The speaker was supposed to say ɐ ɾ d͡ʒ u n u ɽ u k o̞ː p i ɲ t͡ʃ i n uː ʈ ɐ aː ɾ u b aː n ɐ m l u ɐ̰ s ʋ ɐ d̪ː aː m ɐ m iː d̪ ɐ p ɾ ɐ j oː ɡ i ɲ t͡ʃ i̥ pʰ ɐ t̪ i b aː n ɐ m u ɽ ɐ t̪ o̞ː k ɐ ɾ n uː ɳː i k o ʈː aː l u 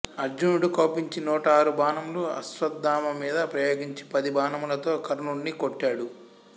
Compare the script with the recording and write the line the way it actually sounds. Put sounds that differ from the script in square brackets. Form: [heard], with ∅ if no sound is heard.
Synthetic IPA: ɐ ɾ d͡ʒ u n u ɽ u k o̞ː p i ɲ t͡ʃ i n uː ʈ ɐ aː ɾ u b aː n ɐ m l u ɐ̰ s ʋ ɐ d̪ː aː m ɐ m iː d̪ ɐ p ɾ ɐ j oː ɡ i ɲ t͡ʃ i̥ [p] ɐ [d̪] i b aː n ɐ m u [l] ɐ t̪ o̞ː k ɐ ɾ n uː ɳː i k o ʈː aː [ɽ] u